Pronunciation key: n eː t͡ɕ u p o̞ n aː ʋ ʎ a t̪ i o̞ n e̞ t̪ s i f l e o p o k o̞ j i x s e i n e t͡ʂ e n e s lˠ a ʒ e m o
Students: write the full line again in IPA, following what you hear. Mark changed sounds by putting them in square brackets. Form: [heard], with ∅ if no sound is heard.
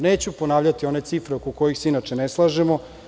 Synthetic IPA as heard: n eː t͡ɕ u p o̞ n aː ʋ ʎ a t̪ i o̞ n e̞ t̪ s i f [ɾ] e o [k] o k o̞ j i x s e i n [a] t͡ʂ e n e s lˠ a ʒ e m o